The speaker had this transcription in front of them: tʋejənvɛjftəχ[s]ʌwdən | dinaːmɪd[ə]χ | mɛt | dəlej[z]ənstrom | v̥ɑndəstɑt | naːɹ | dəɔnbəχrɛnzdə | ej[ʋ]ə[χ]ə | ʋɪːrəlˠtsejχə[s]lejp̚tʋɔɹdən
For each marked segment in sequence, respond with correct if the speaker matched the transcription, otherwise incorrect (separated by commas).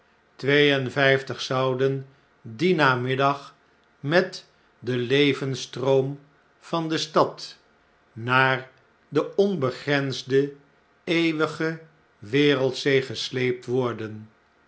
correct, incorrect, incorrect, correct, correct, correct